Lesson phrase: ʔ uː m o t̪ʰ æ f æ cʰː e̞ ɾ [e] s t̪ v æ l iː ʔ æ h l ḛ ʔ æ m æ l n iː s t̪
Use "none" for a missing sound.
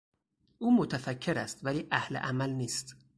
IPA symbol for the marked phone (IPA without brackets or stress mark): æ